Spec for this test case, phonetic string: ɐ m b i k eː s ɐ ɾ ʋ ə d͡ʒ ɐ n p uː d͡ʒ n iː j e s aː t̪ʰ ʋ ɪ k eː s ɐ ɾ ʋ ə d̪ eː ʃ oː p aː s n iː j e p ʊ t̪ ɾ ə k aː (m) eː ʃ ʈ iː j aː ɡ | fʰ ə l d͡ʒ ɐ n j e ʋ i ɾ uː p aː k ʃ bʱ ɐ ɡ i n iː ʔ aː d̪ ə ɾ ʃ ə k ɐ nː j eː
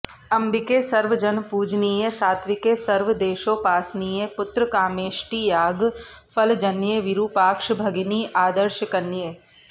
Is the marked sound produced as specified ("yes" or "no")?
yes